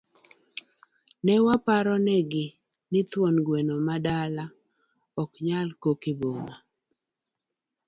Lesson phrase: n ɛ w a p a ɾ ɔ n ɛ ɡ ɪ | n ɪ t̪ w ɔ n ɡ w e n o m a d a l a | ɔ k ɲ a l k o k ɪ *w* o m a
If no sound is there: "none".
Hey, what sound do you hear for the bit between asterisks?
b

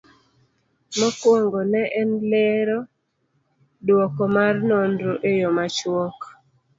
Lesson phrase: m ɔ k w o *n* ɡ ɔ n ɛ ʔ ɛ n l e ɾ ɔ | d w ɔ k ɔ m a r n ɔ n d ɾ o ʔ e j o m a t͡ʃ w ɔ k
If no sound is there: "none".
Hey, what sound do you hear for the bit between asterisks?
ŋ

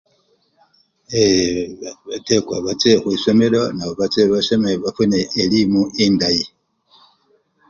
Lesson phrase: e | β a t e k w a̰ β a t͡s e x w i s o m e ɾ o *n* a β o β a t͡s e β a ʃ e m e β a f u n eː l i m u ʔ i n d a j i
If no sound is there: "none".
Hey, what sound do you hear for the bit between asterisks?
n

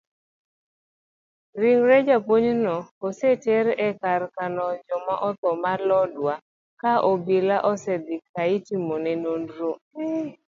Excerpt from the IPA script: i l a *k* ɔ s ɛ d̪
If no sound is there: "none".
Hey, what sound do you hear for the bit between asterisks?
ʔ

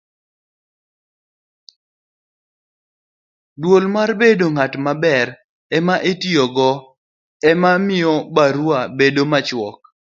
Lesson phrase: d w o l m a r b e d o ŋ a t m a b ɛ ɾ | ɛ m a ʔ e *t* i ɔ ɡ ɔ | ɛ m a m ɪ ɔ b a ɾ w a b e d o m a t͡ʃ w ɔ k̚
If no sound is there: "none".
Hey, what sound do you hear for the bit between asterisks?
t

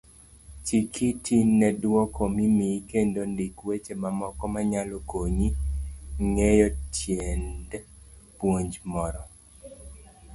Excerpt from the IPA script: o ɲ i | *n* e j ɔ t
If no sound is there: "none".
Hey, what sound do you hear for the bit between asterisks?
ŋ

